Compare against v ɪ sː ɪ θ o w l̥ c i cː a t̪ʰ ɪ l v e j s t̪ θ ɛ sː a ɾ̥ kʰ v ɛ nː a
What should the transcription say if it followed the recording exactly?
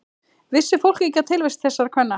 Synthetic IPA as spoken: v ɪ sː ɪ f o w l̥ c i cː a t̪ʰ ɪ l v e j s t̪ θ ɛ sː a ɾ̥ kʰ v ɛ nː a